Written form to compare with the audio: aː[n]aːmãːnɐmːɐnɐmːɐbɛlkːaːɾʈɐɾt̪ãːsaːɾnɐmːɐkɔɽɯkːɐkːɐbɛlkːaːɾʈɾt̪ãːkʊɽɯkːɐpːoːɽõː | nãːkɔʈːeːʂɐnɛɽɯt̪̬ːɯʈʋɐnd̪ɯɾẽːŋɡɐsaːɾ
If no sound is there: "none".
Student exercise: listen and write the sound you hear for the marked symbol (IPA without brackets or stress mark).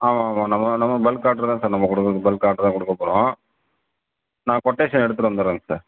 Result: m